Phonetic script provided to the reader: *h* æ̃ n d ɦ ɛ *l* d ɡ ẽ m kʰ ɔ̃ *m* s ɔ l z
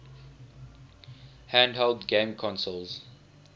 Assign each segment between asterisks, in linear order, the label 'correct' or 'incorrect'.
correct, correct, incorrect: n

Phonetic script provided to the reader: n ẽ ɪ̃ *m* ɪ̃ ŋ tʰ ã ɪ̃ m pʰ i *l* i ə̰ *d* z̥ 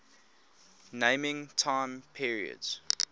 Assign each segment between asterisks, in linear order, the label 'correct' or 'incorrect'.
correct, incorrect: ɹ, correct

